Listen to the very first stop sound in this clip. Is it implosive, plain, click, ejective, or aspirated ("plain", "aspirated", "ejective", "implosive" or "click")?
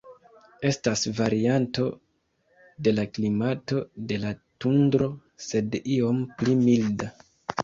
plain